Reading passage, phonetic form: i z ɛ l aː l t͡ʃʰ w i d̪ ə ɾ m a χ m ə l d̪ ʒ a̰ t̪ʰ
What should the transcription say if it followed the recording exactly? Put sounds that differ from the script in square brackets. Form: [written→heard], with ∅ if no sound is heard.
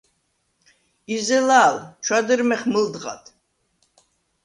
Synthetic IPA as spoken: i z ɛ l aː l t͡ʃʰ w [i→a] d̪ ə ɾ m [a→ɛ] χ m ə l d̪ [ʒ→ʁ] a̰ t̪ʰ